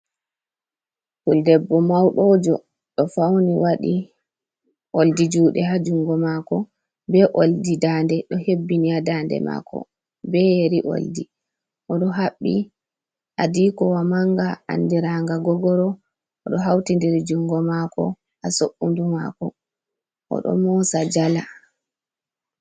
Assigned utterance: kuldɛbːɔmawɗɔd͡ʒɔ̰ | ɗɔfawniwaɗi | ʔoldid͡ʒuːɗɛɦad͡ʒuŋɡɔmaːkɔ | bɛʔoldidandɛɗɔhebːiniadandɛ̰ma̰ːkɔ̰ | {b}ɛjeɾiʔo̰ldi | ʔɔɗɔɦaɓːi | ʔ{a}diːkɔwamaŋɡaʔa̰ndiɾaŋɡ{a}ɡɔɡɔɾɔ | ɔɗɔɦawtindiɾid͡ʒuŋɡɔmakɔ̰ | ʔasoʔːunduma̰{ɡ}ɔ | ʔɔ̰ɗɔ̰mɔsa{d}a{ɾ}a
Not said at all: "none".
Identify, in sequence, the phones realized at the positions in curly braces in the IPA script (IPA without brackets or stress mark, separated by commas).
b, a, a, k, d͡ʒ, l